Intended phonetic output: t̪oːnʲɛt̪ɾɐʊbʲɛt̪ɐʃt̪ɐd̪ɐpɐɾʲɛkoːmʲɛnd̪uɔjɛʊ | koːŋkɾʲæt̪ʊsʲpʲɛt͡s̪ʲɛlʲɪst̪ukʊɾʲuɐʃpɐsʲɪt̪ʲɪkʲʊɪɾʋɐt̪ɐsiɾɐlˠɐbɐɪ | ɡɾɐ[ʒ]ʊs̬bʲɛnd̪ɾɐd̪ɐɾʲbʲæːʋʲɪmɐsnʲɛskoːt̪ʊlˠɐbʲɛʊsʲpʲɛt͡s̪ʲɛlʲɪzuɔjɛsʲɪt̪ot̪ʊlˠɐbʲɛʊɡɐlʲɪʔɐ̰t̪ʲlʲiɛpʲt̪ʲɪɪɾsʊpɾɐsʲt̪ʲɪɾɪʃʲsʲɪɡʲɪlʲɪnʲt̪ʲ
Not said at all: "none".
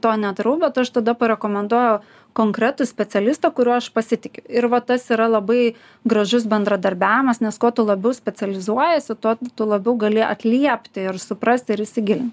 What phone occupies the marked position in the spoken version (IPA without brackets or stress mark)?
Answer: ʒ